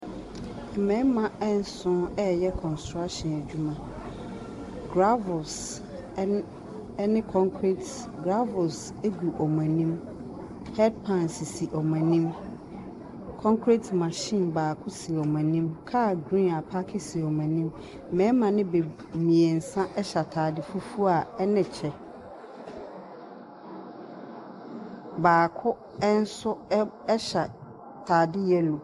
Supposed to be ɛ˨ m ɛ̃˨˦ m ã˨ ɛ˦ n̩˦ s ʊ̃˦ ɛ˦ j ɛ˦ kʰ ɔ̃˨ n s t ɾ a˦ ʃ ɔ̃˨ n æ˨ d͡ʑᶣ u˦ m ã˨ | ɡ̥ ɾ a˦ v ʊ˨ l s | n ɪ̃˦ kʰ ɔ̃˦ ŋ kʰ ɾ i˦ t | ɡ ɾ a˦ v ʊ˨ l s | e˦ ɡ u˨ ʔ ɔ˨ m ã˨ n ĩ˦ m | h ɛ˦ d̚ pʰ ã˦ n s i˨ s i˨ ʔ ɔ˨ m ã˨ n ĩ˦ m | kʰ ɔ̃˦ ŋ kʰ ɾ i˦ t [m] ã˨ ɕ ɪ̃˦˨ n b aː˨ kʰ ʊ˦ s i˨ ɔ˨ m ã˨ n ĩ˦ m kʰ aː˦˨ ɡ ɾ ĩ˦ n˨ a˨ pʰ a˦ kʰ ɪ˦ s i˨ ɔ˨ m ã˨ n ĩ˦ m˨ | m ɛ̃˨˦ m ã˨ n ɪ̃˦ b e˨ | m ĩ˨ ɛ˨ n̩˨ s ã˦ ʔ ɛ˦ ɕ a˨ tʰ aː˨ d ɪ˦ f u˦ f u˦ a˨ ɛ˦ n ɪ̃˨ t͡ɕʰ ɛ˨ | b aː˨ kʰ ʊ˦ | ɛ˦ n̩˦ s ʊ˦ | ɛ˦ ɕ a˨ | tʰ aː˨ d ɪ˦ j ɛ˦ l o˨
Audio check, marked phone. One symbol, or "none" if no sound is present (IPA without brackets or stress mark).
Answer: m